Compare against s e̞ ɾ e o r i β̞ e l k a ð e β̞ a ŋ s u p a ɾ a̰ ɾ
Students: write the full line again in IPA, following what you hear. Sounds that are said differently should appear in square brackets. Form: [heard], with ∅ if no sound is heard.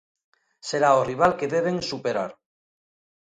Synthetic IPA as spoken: s e̞ ɾ [a] o r i β̞ [a] l k [e] ð e β̞ [e] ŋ s u p [e] ɾ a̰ ɾ

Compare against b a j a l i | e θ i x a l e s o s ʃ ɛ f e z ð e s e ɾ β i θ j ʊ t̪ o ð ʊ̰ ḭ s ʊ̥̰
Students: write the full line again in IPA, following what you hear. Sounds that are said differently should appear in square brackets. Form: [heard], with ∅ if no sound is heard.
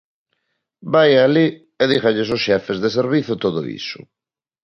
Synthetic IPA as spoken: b a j a l i | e [ð] i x a [ʎ] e s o s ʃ ɛ f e z ð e s e ɾ β i θ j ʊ t̪ o ð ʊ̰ ḭ s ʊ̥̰

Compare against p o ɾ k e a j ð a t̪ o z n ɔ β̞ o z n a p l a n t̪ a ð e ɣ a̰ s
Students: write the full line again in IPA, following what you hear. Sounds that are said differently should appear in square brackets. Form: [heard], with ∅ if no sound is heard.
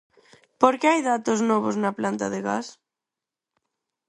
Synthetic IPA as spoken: p o ɾ k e a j ð a t̪ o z n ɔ β̞ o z n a p l a n t̪ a ð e ɣ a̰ s

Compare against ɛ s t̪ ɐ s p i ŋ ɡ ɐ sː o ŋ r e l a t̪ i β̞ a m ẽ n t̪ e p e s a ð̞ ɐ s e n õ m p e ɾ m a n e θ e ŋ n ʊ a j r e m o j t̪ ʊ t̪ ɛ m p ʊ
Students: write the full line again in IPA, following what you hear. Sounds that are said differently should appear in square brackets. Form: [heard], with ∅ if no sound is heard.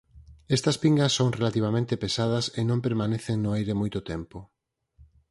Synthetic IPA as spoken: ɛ s t̪ ɐ s p i ŋ ɡ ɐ sː o ŋ r e l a t̪ i β̞ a m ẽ n t̪ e p e s a ð̞ ɐ s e n õ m p e ɾ m a n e θ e ŋ n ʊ a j [ɾ] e m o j t̪ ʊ t̪ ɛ m p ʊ

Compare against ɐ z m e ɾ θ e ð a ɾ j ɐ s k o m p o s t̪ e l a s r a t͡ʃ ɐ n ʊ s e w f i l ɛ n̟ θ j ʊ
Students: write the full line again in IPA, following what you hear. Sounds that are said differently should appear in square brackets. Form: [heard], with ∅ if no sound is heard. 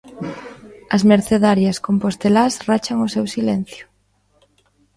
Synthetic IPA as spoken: ɐ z m e ɾ θ e ð a ɾ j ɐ s k o m p o s t̪ e l a s r a t͡ʃ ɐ [ŋ] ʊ s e w [s] i l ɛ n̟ θ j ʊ

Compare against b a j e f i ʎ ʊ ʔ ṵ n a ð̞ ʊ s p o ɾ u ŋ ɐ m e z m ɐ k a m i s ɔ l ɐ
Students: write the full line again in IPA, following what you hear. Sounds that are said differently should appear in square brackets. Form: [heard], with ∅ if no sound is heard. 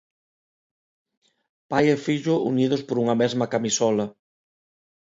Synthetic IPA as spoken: [p] a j e f i ʎ ʊ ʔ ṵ n [i] ð̞ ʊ s p o ɾ u ŋ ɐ m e z m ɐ k a m i s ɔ l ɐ

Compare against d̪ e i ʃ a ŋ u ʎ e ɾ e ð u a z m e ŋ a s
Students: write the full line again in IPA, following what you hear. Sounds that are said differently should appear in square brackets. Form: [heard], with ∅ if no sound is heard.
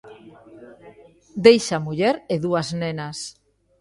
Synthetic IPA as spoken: d̪ e [j] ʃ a [m] u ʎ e ɾ e ð u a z [n] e [n] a s

